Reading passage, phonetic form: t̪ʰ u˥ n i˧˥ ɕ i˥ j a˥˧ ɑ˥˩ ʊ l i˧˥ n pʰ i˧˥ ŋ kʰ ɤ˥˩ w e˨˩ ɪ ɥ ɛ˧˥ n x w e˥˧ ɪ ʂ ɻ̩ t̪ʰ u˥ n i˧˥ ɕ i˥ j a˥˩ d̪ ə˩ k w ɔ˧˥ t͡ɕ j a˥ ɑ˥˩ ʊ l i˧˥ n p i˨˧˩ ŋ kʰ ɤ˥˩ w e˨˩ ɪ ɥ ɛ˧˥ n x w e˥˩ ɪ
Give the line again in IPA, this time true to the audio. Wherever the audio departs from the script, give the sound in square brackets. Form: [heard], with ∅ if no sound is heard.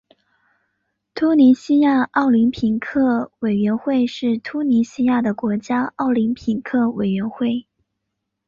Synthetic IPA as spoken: t̪ʰ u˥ n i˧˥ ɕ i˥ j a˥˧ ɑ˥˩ ʊ l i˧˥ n pʰ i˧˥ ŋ kʰ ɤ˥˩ w e˨˩ ɪ ɥ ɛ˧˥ n x w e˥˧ ɪ ʂ ɻ̩ t̪ʰ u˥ n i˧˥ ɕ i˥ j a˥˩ d̪ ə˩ k w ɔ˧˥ t͡ɕ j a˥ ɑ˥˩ ʊ l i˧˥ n [pʰ] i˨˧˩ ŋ kʰ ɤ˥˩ w e˨˩ ɪ ɥ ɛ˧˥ n x w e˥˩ ɪ